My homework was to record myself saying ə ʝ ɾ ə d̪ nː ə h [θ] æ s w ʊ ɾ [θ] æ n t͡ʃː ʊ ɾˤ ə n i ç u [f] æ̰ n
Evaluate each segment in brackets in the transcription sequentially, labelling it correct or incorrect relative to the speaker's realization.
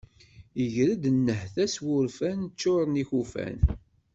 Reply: correct, incorrect, correct

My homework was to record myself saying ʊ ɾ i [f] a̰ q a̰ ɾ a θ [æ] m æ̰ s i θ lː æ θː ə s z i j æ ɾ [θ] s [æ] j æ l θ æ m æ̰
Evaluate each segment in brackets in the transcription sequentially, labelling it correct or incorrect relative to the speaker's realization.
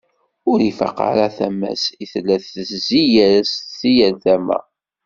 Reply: correct, correct, incorrect, incorrect

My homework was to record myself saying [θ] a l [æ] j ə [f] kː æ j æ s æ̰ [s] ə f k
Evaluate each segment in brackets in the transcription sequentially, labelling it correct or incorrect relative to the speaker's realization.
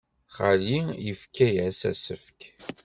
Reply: incorrect, incorrect, correct, correct

